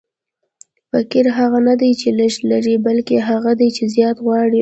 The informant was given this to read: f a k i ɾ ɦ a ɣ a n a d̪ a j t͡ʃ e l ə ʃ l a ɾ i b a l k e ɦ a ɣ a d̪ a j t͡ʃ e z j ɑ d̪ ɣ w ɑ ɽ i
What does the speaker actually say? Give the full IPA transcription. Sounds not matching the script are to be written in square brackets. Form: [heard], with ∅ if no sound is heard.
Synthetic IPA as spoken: f a k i ɾ ɦ a ɣ a n a d̪ a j t͡ʃ e l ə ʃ l a ɾ i b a l k e ɦ a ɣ a d̪ a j t͡ʃ e z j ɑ [t̪] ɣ w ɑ ɽ i